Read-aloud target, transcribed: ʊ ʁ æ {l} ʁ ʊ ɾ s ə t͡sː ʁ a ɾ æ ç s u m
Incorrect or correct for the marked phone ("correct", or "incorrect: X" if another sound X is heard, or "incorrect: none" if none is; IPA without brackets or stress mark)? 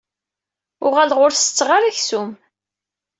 correct